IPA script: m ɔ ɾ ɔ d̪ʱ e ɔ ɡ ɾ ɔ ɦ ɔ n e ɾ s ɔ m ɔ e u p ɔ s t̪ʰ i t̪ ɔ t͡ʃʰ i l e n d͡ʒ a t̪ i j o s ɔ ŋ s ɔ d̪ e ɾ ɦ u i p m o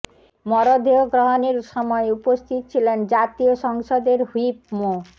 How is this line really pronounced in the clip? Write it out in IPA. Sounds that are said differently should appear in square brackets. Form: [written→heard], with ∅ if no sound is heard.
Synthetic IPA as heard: m ɔ ɾ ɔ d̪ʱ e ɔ ɡ ɾ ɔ ɦ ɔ n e ɾ s ɔ m ɔ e u p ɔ s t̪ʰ i t̪ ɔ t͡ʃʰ i l e n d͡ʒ a t̪ i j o s ɔ ŋ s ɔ d̪ e ɾ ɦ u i p m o